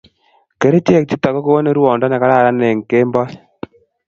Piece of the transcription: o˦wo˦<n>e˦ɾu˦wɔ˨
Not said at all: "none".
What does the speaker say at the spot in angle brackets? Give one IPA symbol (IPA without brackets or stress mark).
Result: n